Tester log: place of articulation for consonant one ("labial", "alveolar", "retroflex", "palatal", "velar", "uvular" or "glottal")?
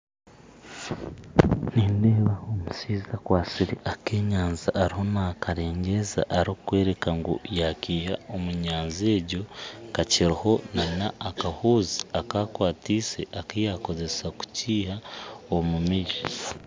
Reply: alveolar